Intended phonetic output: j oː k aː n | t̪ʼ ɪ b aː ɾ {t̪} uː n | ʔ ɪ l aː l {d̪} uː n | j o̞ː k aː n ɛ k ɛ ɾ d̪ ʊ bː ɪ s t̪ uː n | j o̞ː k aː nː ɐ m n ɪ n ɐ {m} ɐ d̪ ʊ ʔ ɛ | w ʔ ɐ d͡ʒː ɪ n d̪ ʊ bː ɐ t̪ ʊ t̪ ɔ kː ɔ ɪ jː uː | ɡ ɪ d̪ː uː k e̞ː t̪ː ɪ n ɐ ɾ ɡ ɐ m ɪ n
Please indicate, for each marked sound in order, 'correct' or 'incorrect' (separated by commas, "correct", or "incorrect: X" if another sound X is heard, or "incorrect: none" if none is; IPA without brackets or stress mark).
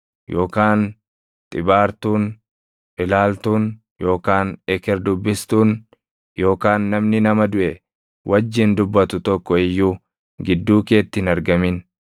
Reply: correct, incorrect: t̪, correct